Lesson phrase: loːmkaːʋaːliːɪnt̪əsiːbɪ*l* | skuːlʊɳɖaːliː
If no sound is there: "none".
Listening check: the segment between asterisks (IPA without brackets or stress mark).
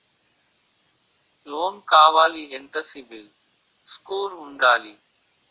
l